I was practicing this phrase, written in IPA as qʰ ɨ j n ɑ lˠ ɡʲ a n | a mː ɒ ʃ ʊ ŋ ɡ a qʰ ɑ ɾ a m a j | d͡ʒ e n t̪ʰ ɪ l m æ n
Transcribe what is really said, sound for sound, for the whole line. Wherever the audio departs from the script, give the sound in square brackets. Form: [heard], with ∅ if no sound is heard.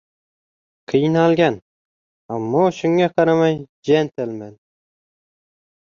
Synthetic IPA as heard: qʰ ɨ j n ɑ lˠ ɡʲ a n | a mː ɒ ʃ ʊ ŋ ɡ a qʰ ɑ ɾ a m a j | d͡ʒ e n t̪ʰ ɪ l m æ n